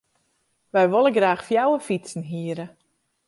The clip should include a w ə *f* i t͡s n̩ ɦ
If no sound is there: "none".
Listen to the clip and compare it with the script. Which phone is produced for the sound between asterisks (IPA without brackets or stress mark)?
f